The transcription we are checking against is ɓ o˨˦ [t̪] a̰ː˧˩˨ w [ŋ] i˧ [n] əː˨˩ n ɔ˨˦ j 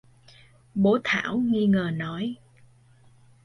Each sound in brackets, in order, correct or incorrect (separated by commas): incorrect, correct, incorrect